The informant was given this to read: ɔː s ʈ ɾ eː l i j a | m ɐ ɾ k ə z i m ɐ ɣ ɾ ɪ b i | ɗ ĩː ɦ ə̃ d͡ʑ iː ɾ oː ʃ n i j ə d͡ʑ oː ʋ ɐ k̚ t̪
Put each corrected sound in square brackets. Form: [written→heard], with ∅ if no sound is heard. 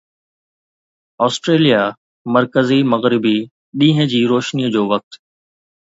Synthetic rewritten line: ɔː s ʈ ɾ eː l i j a | m ɐ ɾ k ə z i m ɐ ɣ ɾ ɪ b i | ɗ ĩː ɦ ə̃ d͡ʑ iː ɾ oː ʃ n i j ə d͡ʑ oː ʋ ɐ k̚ t̪